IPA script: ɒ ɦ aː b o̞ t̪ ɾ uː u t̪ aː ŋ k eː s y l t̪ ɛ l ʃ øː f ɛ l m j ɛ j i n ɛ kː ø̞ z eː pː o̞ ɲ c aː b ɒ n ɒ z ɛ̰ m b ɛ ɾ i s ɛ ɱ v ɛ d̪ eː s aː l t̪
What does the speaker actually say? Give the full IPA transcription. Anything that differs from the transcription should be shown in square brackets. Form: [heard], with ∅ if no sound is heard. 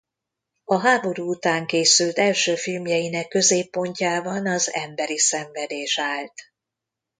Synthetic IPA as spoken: ɒ ɦ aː b o̞ [∅] ɾ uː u t̪ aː ŋ k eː s y l t̪ ɛ l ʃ øː f [i] l m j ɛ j i n ɛ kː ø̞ z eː pː o̞ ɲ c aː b ɒ n ɒ z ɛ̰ m b ɛ ɾ i s ɛ ɱ v ɛ d̪ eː [ʃ] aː l t̪